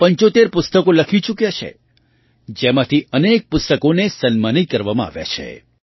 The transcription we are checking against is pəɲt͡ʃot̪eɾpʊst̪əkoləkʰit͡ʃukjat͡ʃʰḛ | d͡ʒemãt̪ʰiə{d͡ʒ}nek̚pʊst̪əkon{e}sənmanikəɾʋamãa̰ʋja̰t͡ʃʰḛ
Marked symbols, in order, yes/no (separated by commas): no, yes